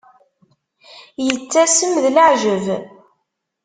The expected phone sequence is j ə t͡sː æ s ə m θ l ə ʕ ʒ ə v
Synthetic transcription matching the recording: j ə t͡sː æ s ə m ð l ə ʕ ʒ ə v